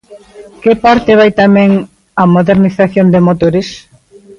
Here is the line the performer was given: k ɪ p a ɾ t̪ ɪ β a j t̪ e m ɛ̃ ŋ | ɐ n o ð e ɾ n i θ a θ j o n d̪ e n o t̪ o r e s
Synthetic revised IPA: k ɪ p a ɾ t̪ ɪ β a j t̪ a m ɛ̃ ŋ | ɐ m o ð e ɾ n i θ a θ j o n d̪ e m o t̪ o ɾ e s